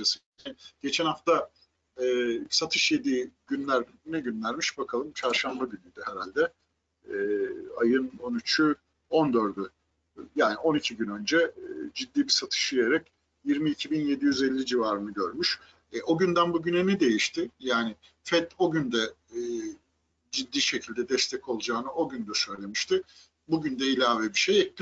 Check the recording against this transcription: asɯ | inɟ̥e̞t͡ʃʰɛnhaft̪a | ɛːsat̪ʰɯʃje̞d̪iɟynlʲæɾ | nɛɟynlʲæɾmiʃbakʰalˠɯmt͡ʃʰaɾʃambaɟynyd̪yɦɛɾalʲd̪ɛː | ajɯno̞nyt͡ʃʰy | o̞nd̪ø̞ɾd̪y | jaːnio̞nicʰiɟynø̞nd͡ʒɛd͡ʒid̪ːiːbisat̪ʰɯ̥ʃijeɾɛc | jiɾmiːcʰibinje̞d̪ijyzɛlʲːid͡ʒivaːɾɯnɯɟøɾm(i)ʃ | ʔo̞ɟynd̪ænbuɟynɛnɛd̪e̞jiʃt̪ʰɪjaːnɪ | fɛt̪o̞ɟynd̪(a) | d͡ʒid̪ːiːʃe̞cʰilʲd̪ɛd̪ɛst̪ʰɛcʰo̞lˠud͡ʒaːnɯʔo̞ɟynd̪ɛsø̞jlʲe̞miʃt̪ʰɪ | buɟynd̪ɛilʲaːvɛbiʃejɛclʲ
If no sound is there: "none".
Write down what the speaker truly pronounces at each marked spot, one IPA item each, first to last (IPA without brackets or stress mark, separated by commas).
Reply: y, ɛ